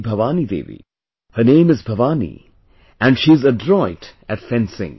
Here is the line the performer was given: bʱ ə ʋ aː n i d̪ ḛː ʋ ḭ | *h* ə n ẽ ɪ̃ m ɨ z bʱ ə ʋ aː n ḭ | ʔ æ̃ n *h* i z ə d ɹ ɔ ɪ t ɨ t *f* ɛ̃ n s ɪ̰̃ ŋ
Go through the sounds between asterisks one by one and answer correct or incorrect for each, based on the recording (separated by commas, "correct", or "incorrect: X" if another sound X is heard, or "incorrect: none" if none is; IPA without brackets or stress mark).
correct, incorrect: ʃ, correct